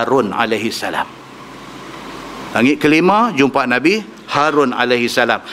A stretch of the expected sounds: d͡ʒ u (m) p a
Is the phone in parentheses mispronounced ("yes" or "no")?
no